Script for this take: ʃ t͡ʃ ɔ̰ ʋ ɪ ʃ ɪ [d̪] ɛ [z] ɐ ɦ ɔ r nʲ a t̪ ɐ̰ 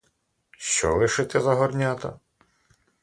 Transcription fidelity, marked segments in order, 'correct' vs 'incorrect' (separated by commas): incorrect, correct